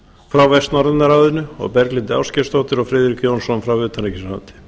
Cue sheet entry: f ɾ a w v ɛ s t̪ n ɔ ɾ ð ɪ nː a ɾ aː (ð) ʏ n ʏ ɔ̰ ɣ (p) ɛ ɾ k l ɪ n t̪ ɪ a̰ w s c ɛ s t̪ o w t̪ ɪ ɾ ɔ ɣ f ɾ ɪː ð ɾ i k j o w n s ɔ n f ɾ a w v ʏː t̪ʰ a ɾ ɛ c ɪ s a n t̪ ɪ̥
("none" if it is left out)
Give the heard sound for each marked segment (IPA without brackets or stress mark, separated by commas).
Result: ð, p